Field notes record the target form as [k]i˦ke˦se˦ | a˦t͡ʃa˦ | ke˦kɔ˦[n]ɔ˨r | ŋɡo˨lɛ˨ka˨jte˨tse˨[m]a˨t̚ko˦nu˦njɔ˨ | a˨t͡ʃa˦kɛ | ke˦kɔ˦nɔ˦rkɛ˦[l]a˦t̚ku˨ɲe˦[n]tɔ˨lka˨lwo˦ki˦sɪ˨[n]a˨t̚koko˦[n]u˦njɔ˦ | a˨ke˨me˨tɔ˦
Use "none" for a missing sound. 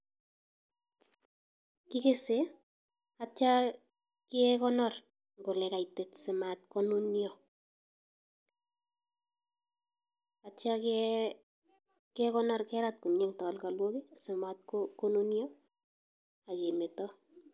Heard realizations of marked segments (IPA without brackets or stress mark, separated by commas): k, n, m, ɾ, ŋ, m, n